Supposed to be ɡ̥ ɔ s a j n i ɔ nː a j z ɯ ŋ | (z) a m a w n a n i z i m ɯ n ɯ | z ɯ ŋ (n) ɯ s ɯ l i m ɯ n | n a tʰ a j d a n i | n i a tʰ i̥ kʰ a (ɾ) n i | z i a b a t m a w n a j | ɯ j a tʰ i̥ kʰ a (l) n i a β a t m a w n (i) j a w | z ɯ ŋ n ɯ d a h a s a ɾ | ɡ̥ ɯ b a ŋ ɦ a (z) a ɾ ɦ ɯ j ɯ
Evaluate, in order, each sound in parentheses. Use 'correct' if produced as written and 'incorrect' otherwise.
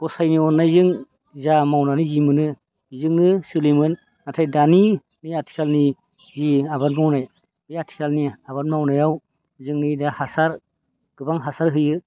correct, correct, incorrect: l, correct, incorrect: a, incorrect: s

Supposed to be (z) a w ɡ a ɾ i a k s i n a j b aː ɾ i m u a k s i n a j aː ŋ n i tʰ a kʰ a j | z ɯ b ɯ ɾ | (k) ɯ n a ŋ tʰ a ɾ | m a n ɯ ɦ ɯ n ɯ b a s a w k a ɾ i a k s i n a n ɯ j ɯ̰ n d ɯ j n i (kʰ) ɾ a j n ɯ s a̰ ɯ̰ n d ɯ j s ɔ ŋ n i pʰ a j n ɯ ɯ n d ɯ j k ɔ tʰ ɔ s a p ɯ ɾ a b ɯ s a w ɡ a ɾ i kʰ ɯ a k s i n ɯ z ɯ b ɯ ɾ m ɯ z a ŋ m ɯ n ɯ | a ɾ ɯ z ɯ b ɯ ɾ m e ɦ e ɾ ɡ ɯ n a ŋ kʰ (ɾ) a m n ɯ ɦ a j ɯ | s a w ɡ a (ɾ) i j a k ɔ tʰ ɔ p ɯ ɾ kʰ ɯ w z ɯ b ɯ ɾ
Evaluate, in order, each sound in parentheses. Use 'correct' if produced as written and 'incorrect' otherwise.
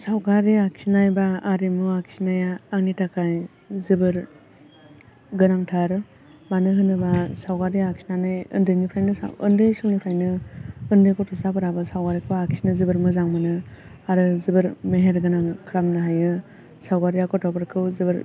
incorrect: s, incorrect: ɡ, incorrect: pʰ, correct, correct

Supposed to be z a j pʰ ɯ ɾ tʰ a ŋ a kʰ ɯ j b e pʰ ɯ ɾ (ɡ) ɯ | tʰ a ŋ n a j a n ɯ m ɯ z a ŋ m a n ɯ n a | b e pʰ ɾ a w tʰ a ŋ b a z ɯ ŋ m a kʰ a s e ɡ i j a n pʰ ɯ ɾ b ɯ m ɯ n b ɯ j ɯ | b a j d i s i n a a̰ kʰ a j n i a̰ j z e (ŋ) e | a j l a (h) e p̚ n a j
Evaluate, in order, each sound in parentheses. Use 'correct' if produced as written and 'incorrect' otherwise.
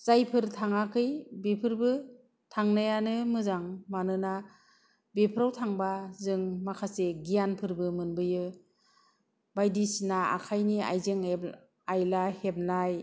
incorrect: b, correct, correct

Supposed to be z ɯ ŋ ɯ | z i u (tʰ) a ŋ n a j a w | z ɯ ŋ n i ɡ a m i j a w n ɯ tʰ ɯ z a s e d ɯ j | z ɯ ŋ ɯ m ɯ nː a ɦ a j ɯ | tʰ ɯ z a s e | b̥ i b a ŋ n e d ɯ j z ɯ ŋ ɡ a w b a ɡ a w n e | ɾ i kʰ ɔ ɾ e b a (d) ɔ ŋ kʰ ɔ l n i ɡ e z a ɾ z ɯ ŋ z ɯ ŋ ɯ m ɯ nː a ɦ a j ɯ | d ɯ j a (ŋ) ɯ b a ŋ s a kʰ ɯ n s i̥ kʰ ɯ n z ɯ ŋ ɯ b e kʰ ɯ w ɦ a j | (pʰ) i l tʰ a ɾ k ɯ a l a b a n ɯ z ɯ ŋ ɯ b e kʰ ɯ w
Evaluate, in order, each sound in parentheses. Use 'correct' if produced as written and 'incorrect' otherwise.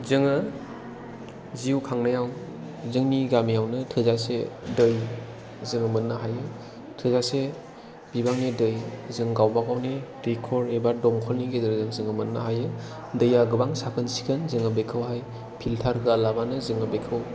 incorrect: kʰ, correct, incorrect: ɡ, correct

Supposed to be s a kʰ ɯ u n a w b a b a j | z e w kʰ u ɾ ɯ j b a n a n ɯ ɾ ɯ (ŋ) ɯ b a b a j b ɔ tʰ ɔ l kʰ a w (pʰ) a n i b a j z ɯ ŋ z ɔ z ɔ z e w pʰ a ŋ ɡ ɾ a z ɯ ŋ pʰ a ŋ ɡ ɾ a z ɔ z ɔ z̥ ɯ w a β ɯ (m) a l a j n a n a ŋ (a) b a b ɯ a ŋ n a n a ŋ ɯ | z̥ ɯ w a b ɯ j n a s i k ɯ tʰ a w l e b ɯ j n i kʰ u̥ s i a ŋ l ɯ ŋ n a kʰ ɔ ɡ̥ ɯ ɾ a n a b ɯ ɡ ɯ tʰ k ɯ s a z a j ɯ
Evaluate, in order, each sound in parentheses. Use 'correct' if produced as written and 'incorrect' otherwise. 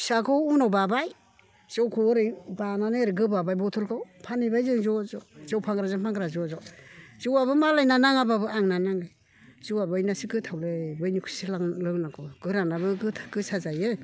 incorrect: ɡ, correct, correct, correct

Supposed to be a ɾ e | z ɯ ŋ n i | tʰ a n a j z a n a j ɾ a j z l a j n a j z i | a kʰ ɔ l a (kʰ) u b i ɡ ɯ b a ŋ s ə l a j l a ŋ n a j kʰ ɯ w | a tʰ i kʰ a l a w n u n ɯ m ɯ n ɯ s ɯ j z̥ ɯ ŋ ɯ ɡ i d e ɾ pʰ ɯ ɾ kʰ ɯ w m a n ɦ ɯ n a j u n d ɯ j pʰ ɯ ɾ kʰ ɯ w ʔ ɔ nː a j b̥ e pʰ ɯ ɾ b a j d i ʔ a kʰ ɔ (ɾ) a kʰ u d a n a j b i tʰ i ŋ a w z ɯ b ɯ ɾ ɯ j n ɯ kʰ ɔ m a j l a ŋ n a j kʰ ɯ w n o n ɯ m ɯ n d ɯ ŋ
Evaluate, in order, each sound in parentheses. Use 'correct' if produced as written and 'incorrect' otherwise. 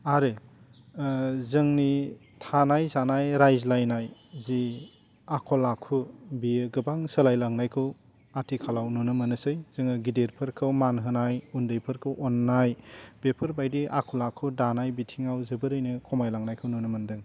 correct, incorrect: l

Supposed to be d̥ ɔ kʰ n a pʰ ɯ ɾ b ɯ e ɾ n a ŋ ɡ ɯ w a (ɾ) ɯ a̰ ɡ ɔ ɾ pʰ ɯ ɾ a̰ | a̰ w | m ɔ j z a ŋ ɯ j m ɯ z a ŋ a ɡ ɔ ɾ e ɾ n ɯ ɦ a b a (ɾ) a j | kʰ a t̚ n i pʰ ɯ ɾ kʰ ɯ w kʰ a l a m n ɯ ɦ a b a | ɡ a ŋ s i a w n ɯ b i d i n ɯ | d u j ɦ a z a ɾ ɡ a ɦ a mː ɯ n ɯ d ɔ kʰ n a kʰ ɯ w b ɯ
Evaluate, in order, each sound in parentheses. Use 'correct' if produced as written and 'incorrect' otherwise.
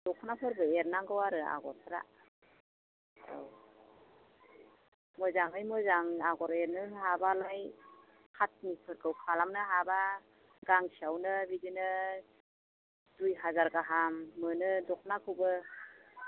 correct, incorrect: l

